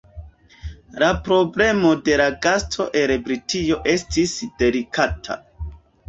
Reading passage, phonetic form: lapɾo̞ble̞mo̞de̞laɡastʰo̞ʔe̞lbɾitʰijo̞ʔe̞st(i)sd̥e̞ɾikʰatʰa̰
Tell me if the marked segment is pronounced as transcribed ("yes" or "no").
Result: yes